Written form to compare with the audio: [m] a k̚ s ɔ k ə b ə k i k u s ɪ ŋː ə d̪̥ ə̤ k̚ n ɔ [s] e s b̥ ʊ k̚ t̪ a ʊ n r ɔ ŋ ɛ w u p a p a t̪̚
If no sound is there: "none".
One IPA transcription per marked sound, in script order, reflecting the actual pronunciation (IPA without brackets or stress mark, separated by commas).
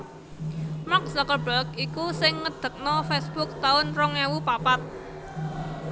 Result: m, f